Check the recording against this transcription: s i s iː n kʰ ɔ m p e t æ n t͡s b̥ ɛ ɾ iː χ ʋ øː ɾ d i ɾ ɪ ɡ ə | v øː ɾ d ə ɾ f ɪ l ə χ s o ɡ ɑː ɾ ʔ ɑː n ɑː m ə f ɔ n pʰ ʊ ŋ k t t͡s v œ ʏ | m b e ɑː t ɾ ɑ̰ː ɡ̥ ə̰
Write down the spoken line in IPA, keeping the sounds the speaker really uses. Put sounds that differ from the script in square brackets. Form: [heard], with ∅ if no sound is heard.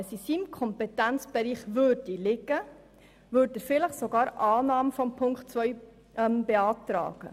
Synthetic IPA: s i s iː [m] kʰ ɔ m p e t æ n t͡s b̥ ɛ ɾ iː χ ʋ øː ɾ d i [l] ɪ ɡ ə | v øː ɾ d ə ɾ f ɪ l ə χ s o ɡ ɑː ɾ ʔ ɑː n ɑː m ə f ɔ [m] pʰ ʊ ŋ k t t͡s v œ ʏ | m b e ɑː t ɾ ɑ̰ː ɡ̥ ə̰